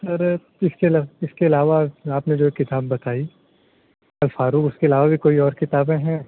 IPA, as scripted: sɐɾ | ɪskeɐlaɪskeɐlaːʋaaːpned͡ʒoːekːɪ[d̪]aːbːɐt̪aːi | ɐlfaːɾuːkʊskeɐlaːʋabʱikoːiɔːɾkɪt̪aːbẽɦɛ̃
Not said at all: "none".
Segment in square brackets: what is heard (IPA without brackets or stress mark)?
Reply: t̪